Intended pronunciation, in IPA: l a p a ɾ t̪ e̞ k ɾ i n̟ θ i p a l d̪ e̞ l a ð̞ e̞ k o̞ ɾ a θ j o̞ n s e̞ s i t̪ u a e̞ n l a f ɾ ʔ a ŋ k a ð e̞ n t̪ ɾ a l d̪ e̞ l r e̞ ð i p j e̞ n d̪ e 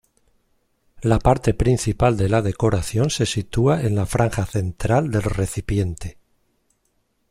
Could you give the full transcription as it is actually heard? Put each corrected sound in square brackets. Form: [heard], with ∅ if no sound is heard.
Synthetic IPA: l a p a ɾ t̪ e̞ [p] ɾ i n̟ θ i p a l d̪ e̞ l a ð̞ e̞ k o̞ ɾ a θ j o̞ n s e̞ s i t̪ u a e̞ n l a f ɾ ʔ a ŋ [x] a [θ] e̞ n t̪ ɾ a l d̪ e̞ l r e̞ [θ] i p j e̞ n [t̪] e